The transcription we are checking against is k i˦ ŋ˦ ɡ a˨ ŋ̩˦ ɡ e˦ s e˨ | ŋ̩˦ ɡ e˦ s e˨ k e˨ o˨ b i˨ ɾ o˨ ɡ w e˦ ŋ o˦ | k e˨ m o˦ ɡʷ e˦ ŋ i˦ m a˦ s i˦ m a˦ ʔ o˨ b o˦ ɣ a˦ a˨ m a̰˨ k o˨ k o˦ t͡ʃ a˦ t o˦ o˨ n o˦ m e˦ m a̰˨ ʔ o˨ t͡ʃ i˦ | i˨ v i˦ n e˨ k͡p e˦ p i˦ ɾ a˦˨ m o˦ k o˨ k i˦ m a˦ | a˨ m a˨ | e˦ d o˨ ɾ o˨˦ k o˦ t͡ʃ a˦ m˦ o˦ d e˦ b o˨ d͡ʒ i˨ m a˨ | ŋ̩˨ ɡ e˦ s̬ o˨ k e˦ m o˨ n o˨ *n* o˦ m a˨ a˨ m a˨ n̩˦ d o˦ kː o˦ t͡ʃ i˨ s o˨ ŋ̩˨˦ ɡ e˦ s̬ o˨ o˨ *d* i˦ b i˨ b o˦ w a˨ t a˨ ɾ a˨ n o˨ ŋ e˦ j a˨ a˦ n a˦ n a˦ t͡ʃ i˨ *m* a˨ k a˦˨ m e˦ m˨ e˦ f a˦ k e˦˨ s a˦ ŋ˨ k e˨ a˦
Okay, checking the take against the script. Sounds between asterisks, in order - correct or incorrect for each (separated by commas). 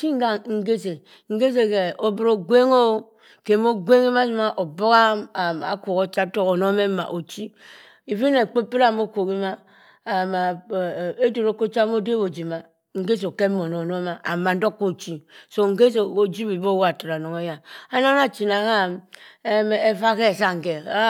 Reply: correct, incorrect, incorrect